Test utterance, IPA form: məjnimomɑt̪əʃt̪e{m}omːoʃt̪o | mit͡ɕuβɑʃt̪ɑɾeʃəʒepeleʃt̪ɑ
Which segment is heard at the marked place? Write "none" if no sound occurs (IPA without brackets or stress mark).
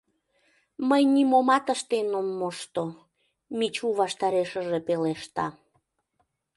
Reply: n